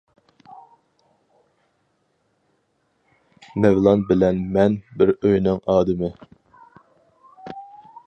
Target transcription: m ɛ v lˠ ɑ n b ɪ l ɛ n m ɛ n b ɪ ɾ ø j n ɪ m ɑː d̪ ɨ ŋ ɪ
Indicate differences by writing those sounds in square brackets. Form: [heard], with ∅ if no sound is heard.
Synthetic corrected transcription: m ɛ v lˠ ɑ n b ɪ l ɛ n m ɛ n b ɪ ɾ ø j n ɪ [ŋ] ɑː d̪ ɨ [m] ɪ